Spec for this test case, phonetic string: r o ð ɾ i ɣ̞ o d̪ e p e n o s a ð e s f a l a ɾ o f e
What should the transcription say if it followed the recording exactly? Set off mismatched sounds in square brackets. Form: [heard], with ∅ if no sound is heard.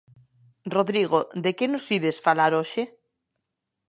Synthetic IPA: r o ð ɾ i ɣ̞ o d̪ e [k] e n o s [i] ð e s f a l a ɾ o [ʃ] e